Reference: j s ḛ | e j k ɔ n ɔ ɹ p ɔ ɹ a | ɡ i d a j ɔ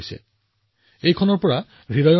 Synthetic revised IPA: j s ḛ | e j kʰ ɔ n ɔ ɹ p ɔ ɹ a | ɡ i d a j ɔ